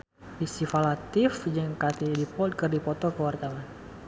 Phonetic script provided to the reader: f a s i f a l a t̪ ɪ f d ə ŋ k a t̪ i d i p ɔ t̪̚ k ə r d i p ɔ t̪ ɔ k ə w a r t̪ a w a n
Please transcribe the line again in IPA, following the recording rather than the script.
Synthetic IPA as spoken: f i s i f a l a t̪ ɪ f d͡ʒ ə ŋ k a t̪ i d i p ɔ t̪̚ k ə r d i p ɔ t̪ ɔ k ə w a r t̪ a w a n